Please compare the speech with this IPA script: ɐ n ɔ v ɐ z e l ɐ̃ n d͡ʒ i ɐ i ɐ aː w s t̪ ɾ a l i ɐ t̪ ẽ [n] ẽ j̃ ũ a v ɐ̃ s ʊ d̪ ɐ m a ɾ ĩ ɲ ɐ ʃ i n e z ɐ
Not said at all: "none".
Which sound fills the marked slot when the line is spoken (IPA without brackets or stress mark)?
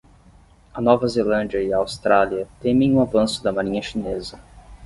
m